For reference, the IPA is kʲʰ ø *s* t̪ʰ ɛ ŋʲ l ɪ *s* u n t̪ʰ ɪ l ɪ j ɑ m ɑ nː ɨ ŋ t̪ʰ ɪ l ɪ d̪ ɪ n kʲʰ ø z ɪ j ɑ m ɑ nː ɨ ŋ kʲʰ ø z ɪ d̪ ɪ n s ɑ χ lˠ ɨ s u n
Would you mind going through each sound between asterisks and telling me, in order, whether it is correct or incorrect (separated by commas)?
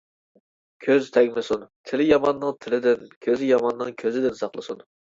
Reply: incorrect, correct